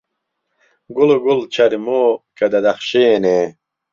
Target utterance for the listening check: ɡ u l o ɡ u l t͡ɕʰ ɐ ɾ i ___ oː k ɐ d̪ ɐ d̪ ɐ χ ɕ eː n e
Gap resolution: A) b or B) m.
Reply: B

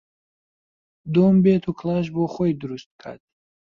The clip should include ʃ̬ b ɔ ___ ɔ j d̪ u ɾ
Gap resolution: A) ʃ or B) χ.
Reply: B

